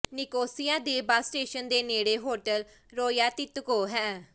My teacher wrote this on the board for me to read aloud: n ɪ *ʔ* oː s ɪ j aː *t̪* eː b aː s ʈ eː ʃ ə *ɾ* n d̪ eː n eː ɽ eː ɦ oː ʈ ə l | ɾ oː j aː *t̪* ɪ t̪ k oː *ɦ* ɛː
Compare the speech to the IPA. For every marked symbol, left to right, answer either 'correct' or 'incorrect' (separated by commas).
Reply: incorrect, incorrect, incorrect, correct, correct